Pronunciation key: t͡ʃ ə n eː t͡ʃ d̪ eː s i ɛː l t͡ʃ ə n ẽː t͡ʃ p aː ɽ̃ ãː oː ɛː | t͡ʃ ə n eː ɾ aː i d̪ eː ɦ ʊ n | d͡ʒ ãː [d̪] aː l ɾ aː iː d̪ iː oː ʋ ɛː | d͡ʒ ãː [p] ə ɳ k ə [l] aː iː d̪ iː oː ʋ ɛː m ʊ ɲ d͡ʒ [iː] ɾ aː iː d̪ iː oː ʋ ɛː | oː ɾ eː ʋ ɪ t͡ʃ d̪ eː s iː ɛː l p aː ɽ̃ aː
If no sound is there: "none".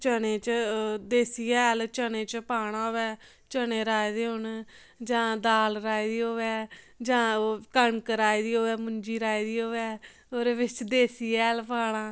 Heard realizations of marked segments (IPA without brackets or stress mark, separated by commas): d̪, k, ɾ, iː